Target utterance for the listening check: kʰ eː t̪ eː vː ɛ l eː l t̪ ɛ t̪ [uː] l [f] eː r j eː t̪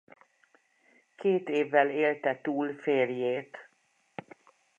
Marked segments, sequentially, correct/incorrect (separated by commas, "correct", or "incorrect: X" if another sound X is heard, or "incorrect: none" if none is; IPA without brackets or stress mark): correct, correct